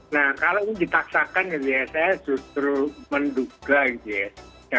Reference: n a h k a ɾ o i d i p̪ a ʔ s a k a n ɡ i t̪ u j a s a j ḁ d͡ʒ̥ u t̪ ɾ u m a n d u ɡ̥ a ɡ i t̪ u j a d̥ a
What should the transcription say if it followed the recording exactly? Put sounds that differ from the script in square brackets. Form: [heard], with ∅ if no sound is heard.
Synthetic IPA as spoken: n a h k a [l] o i d i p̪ a [k] s a k a n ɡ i t̪ u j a s a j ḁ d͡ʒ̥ u t̪ ɾ u m [ə] n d u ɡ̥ a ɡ i t̪ u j a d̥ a